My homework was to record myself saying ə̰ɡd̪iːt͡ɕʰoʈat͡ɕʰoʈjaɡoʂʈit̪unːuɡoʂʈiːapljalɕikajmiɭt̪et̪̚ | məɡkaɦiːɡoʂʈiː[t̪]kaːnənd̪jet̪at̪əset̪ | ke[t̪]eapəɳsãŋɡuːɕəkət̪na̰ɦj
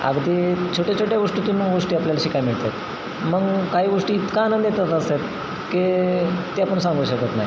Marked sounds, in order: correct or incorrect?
correct, correct

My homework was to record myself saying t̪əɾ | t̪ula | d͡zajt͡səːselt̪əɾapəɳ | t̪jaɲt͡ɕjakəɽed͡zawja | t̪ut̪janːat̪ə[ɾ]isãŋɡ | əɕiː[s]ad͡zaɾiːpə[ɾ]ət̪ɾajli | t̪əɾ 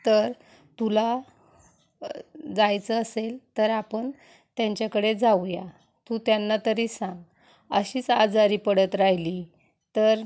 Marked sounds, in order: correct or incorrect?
correct, incorrect, incorrect

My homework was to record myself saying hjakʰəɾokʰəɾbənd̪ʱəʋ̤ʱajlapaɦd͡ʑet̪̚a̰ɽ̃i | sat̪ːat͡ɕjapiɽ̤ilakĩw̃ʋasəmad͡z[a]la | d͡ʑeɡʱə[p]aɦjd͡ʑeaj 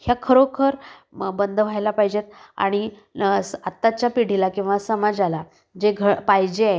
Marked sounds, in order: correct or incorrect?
correct, correct

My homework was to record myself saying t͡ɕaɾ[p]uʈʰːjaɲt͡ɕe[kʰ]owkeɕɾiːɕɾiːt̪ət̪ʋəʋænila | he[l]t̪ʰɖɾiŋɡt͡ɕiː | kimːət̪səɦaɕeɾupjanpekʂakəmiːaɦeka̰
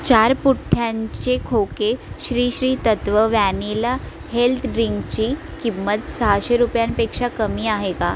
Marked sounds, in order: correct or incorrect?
correct, correct, correct

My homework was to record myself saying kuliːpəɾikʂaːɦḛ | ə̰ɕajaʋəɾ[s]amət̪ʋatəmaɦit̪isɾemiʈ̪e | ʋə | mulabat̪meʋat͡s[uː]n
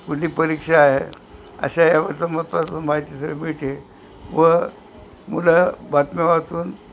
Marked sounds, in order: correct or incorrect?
incorrect, correct

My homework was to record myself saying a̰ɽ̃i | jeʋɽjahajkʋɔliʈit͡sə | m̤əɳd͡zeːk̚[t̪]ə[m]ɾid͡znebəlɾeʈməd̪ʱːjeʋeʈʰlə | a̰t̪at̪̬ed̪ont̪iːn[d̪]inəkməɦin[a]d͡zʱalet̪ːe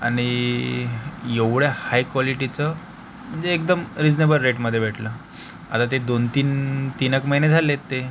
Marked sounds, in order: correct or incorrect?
incorrect, correct, incorrect, incorrect

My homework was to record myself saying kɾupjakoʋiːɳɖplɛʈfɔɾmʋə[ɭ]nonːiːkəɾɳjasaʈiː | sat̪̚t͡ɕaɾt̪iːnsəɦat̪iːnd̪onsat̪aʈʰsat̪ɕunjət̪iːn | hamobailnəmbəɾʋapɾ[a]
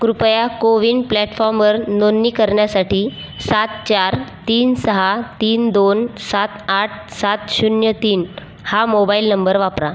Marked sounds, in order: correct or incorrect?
incorrect, correct

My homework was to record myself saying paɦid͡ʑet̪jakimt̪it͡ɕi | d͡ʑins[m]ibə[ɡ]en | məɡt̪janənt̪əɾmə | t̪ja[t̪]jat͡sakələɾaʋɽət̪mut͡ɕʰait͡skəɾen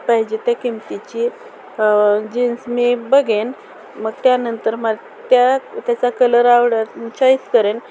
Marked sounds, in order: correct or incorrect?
correct, correct, correct

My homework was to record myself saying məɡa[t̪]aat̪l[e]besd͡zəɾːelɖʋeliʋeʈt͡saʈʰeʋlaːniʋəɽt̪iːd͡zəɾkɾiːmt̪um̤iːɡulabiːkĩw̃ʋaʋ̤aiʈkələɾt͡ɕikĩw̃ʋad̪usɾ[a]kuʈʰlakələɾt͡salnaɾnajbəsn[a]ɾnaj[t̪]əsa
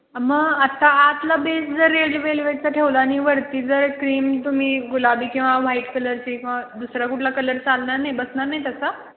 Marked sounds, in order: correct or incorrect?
correct, incorrect, correct, correct, correct

